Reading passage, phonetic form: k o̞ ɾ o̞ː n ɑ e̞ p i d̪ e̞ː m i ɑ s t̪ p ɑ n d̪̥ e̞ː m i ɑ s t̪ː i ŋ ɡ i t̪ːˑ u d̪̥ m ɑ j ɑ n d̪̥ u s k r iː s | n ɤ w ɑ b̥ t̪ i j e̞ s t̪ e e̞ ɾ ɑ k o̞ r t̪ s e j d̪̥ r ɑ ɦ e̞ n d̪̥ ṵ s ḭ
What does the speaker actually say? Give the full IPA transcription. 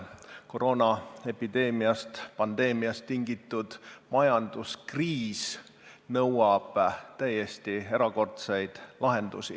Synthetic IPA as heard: k o̞ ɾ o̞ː n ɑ e̞ p i d̪ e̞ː m i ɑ s t̪ p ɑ n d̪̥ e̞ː m i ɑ s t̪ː i ŋ ɡ i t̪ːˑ u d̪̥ m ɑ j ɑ n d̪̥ u s k r iː s | n ɤ w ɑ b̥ t̪ æ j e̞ s t̪ i e̞ ɾ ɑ k o̞ r t̪ s e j d̪̥ l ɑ ɦ e̞ n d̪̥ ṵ s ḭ